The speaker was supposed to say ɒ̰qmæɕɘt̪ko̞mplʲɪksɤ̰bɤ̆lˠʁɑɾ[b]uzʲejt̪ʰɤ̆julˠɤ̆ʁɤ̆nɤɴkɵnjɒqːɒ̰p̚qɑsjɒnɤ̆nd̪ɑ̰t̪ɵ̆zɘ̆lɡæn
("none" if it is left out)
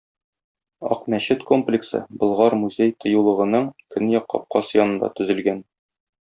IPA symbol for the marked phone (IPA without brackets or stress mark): m